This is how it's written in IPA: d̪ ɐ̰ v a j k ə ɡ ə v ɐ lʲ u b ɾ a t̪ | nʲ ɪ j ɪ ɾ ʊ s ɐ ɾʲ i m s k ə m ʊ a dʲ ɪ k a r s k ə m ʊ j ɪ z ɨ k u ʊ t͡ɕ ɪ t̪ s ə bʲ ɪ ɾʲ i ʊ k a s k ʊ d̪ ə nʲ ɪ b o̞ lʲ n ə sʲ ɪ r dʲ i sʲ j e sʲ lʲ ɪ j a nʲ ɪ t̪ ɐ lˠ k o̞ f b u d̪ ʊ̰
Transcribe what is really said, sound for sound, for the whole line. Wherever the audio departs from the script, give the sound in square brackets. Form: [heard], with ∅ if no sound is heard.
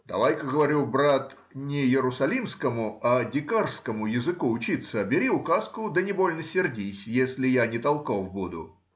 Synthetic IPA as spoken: d̪ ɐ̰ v a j k ə ɡ ə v ɐ [ɾʲ] u b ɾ a t̪ | nʲ ɪ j ɪ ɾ ʊ s ɐ [lʲ] i m s k ə m ʊ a dʲ ɪ k a r s k ə m ʊ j ɪ z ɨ k u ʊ t͡ɕ [i] t̪ s ə bʲ ɪ ɾʲ i ʊ k a s k ʊ d̪ ə nʲ ɪ b o̞ lʲ n ə sʲ ɪ r dʲ i sʲ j e sʲ lʲ ɪ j a nʲ ɪ t̪ ɐ lˠ k o̞ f b u d̪ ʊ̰